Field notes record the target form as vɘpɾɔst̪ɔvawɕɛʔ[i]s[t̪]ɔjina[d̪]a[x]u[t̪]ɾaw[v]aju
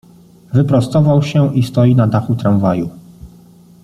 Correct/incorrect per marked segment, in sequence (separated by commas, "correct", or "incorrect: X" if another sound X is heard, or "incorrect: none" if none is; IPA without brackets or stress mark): correct, correct, correct, correct, correct, correct